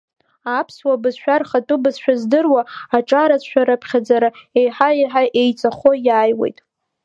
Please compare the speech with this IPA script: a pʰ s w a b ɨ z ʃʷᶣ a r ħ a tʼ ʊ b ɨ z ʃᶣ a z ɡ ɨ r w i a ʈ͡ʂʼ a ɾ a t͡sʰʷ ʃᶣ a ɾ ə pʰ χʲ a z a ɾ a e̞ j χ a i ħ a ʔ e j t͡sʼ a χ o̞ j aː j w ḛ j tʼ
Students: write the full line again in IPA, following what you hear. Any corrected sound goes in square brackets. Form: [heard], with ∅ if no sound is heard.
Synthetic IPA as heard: a pʰ s w a b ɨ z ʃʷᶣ a r [χ] a tʼ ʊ b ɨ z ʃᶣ a z [d] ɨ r w [a] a ʈ͡ʂʼ a ɾ a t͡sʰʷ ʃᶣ a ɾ [a] pʰ χʲ a [d͡z] a ɾ a e̞ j [ħ] a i ħ a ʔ e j t͡sʼ a χ o̞ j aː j w ḛ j tʼ